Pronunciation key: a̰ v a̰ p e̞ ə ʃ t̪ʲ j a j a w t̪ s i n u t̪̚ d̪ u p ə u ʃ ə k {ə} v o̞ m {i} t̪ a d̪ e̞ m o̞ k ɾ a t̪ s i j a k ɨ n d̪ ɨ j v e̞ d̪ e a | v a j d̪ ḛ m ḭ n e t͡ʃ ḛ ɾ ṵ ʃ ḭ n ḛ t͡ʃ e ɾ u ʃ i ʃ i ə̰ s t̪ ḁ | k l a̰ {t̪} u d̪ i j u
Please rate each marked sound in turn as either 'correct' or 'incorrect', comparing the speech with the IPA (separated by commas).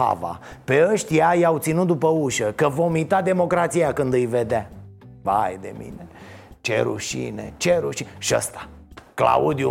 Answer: correct, correct, incorrect